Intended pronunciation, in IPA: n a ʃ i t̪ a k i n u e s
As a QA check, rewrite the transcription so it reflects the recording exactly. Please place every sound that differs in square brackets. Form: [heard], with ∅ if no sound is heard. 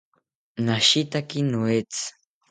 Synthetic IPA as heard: n a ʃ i t̪ a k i n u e [t͡s]